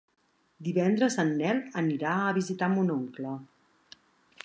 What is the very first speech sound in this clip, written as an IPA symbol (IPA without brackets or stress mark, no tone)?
d̪